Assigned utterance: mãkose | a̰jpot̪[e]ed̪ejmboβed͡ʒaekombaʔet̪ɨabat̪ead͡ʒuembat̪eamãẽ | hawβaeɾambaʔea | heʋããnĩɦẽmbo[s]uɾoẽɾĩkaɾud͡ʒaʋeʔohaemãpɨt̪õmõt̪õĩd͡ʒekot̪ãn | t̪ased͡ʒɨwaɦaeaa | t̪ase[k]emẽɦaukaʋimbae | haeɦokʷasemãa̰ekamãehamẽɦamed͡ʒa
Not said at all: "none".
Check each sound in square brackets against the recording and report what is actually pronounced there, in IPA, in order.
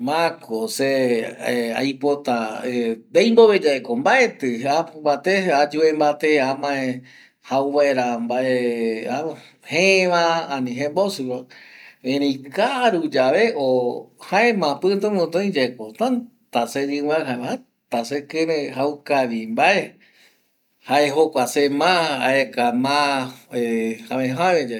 a, s, k

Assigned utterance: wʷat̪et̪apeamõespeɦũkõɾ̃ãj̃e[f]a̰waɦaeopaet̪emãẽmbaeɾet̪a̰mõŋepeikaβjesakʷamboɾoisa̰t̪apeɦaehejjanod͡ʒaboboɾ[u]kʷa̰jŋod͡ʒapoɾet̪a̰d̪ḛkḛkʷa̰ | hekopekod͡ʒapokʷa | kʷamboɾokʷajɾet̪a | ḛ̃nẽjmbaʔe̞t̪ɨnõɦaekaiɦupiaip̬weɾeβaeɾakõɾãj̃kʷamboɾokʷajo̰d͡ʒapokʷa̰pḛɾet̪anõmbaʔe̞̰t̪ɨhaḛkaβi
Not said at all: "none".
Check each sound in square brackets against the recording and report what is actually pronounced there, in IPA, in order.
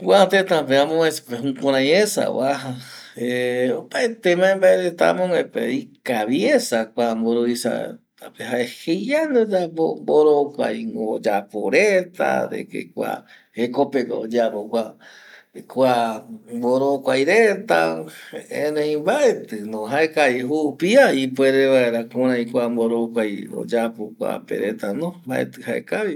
s, o

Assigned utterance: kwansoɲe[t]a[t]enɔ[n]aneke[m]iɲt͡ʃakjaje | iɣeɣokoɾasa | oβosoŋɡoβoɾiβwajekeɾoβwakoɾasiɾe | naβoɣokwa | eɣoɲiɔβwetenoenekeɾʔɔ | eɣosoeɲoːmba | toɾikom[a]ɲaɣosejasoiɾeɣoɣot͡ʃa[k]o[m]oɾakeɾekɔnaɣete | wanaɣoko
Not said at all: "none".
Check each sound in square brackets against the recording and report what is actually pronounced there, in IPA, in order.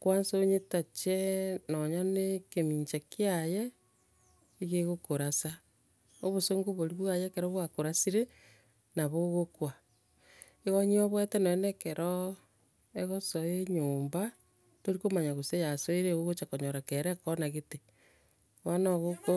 t, t͡ʃ, ɲ, m, a, k, ɲ

